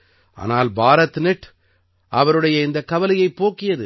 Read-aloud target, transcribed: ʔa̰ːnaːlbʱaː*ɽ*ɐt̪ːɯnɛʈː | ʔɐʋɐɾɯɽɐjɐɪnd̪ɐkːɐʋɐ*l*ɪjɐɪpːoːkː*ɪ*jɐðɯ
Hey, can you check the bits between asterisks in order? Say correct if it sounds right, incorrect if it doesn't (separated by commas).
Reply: incorrect, correct, correct